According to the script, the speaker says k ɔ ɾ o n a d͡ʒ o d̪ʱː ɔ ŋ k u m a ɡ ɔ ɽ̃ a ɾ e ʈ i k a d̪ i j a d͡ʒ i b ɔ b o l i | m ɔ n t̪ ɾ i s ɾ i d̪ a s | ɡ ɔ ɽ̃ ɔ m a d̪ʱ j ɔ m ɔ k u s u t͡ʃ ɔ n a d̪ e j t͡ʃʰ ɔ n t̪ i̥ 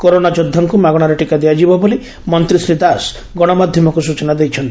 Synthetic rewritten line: k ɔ ɾ o n a d͡ʒ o d̪ʱː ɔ ŋ k u m a ɡ ɔ ɽ̃ a ɾ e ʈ i k a d̪ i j a d͡ʒ i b ɔ b o l i | m ɔ n t̪ ɾ i s ɾ i d̪ a s | ɡ ɔ ɽ̃ ɔ m a d̪ʱ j ɔ m ɔ k u s u t͡ʃ ɔ n a d̪ e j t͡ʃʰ ɔ n t̪ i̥